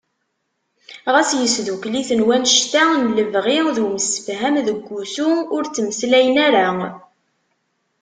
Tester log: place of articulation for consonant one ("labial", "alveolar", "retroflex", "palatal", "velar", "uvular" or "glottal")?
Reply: uvular